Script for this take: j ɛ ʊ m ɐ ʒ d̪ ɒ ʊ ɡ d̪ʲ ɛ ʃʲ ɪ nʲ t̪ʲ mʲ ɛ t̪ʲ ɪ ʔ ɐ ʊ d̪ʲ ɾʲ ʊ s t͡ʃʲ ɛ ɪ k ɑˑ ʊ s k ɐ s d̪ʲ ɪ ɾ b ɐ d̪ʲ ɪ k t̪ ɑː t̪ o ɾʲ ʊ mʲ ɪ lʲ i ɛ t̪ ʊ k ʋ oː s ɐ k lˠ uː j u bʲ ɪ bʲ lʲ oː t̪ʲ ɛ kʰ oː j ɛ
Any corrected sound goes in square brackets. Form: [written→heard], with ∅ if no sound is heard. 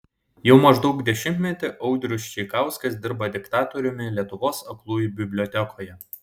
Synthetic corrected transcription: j ɛ ʊ m ɐ ʒ d̪ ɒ ʊ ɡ d̪ʲ ɛ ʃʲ ɪ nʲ t̪ʲ mʲ ɛ t̪ʲ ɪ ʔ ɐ ʊ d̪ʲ ɾʲ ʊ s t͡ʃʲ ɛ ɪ k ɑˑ ʊ s k ɐ s d̪ʲ ɪ ɾ b ɐ d̪ʲ ɪ k t̪ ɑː t̪ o ɾʲ ʊ mʲ ɪ lʲ i ɛ t̪ ʊ [k→∅] ʋ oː s ɐ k lˠ uː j u bʲ ɪ bʲ lʲ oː t̪ʲ ɛ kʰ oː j ɛ